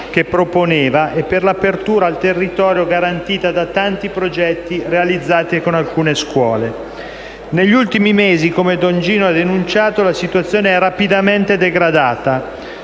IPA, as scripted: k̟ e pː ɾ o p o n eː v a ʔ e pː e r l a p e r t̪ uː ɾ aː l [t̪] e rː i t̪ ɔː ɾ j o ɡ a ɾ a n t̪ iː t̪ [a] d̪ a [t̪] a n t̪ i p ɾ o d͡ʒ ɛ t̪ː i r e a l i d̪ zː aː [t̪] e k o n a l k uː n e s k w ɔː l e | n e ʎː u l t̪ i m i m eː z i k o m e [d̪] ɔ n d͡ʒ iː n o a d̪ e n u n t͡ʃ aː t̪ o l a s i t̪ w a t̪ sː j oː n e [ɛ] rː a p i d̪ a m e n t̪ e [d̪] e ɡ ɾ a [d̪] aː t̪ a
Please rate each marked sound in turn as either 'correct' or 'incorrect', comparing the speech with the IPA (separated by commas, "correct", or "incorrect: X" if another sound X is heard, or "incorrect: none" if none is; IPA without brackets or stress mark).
correct, correct, correct, correct, correct, correct, correct, correct